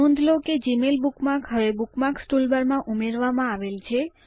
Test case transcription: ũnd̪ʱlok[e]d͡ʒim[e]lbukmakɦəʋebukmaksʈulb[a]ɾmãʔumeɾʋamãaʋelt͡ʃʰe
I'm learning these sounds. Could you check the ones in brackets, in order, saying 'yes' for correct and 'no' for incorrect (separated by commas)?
yes, yes, no